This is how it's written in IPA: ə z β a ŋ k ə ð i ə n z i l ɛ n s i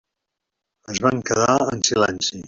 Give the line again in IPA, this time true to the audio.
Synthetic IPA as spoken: ə z β a ŋ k ə ð a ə n s i l ɛ n s i